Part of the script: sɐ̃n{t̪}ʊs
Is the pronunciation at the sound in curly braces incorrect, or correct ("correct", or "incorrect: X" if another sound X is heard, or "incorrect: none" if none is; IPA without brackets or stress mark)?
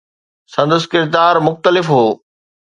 incorrect: d̪